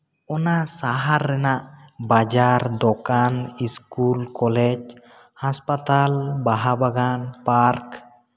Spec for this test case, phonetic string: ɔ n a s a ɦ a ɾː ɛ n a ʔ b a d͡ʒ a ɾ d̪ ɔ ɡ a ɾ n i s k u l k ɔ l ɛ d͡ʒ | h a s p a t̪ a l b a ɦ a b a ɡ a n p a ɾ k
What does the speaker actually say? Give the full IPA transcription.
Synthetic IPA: ɔ n a s a ɦ a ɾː ɛ n a ʔ b a d͡ʒ a ɾ d̪ ɔ k a n i s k u l k ɔ l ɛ d͡ʒ | h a s p a t̪ a l b a ɦ a b a ɡ a n p a ɾ k